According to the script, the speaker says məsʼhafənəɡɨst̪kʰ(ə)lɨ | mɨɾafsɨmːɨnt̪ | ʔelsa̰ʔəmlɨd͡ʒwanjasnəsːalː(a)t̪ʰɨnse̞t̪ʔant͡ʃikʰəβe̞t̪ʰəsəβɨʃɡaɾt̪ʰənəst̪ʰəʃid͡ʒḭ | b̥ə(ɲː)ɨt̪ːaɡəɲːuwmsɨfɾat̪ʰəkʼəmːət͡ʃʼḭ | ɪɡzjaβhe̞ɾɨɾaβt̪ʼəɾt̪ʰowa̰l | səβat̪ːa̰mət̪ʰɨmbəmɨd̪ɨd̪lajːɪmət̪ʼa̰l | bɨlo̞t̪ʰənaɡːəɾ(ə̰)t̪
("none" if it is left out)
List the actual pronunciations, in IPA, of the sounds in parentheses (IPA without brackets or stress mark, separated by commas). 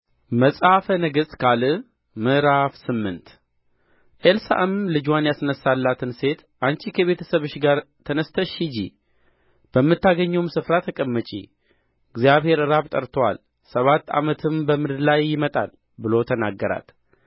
a, a, mː, a̰